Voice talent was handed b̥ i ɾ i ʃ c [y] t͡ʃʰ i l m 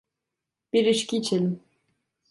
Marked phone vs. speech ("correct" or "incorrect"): incorrect